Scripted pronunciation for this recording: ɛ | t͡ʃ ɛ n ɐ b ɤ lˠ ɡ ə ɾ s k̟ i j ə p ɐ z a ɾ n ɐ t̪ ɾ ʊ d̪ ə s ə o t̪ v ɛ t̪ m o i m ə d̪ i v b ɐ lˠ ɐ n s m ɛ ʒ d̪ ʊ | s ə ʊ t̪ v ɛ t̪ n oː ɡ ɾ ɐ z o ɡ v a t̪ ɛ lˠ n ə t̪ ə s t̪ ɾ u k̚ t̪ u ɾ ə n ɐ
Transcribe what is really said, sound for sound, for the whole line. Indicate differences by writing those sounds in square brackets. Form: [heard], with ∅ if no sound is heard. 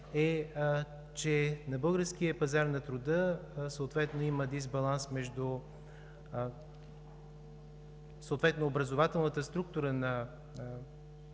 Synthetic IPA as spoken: ɛ | t͡ʃ ɛ n ɐ b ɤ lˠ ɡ ə ɾ s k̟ i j ə p ɐ z a ɾ n ɐ t̪ ɾ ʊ d̪ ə s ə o t̪ v ɛ t̪ [n] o i m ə d̪ i [z] b ɐ lˠ [a] n s m ɛ ʒ d̪ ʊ | s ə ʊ t̪ v ɛ t̪ n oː [b] ɾ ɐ z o [∅] v a t̪ ɛ lˠ n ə t̪ ə s t̪ ɾ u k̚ t̪ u ɾ ə n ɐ